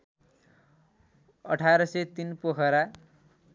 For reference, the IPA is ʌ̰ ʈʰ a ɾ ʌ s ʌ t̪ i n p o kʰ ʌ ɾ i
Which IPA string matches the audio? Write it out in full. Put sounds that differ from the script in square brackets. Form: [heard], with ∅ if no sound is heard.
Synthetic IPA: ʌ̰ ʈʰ a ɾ ʌ s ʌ t̪ i n p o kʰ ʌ ɾ [a]